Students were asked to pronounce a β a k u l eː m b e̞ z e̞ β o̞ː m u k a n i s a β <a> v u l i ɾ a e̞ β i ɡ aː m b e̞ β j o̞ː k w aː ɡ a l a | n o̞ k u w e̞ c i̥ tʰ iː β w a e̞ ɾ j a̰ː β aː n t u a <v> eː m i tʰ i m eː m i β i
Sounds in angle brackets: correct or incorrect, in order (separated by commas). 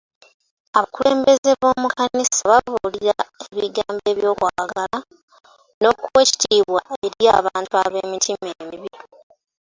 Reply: correct, incorrect